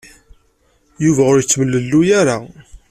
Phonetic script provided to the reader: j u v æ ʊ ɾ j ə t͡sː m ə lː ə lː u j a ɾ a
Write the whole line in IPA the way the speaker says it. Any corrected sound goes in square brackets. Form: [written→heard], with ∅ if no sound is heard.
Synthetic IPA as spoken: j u v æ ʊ ɾ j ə t͡sː m ə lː ə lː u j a ɾ a